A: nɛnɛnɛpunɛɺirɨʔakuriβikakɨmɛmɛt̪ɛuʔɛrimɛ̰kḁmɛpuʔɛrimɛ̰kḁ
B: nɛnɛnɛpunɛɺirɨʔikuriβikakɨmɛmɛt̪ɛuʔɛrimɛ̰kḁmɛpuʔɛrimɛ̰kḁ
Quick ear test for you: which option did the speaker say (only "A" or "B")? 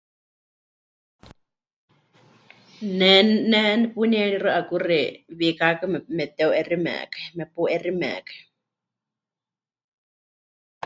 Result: A